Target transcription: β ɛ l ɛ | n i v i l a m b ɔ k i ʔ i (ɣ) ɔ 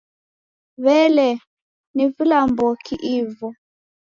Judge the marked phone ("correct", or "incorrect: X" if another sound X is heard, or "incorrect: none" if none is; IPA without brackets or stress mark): incorrect: v